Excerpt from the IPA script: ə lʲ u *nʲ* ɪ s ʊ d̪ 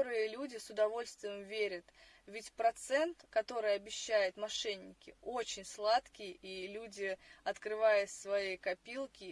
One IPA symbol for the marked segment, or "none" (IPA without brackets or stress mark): dʲ